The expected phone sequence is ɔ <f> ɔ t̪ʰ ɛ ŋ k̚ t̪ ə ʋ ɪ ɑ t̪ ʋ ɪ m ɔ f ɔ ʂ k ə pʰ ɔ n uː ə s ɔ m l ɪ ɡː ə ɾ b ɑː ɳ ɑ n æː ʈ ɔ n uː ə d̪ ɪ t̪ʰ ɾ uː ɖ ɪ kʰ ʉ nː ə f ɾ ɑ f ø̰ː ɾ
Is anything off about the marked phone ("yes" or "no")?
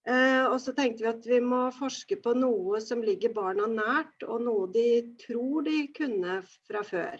yes